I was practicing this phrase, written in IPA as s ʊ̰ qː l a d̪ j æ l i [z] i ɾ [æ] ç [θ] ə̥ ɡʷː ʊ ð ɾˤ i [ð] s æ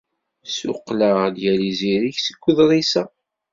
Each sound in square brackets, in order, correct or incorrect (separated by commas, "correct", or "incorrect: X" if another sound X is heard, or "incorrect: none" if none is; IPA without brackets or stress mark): correct, incorrect: i, incorrect: s, incorrect: none